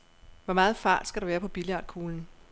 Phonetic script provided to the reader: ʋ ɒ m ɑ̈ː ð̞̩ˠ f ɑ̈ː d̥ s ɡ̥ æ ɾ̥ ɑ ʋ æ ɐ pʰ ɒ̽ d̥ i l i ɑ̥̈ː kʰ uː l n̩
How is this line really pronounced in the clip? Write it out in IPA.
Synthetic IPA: ʋ ɒ m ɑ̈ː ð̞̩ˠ f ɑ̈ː d̥ s ɡ̥ æ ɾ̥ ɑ ʋ æː ɐ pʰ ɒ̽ b̥ i l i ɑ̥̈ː kʰ uː l n̩